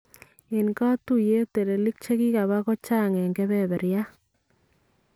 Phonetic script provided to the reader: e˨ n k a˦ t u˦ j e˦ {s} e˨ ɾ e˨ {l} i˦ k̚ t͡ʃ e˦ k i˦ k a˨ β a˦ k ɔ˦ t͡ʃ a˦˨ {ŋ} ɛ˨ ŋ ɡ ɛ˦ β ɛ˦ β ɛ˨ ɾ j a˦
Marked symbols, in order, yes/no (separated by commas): no, yes, yes